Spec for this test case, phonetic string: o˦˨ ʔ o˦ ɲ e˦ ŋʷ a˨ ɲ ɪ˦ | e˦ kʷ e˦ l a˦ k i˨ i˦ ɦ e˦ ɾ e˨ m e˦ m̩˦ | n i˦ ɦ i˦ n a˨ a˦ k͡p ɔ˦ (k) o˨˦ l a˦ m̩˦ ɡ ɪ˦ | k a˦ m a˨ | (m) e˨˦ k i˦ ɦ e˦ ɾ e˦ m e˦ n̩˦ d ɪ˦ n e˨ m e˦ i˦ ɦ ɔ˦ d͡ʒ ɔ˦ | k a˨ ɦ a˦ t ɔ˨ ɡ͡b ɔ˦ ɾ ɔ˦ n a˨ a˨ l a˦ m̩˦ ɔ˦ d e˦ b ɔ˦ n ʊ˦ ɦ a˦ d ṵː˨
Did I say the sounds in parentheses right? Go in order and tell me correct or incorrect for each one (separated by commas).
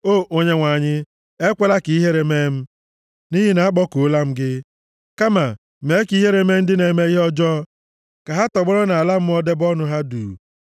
correct, correct